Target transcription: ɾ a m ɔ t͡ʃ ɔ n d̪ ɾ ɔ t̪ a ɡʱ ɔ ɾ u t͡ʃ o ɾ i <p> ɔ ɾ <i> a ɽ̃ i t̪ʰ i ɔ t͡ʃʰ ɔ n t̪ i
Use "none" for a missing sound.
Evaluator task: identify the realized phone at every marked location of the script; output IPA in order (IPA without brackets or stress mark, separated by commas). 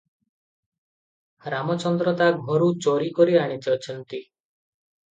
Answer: k, i